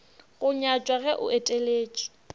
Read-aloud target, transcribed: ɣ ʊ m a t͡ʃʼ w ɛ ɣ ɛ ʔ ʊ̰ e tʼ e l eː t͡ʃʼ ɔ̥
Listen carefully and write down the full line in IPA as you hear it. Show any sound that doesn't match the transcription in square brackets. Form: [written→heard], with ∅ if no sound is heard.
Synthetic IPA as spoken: ɣ ʊ [m→ɲ] a t͡ʃʼ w [ɛ→a] ɣ ɛ ʔ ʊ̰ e tʼ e l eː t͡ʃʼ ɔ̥